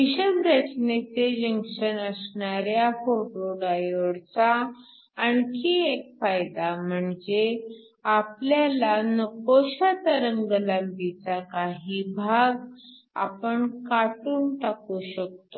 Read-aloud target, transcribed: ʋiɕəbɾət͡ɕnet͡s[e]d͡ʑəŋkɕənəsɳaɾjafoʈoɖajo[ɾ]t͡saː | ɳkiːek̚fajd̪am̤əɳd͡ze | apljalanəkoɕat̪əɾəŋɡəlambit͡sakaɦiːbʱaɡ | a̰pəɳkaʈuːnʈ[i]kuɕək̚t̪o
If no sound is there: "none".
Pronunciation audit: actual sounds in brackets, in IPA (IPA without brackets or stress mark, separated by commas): e, ɽ, a